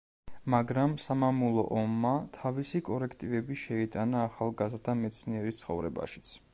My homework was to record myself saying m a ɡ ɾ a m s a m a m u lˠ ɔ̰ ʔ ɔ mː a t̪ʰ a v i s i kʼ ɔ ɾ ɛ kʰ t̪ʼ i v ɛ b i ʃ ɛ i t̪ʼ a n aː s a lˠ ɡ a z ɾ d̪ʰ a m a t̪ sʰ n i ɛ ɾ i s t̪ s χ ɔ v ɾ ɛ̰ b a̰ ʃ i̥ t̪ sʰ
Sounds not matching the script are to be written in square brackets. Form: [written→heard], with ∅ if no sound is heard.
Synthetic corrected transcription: m a ɡ ɾ a m s a m a m u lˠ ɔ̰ ʔ ɔ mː a t̪ʰ a v i s i kʼ ɔ ɾ ɛ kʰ t̪ʼ i v ɛ b i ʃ ɛ i t̪ʼ a n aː [s→χ] a lˠ ɡ a z ɾ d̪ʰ a m [a→ɛ] t̪ sʰ n i ɛ ɾ i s t̪ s χ ɔ v ɾ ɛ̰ b a̰ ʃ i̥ t̪ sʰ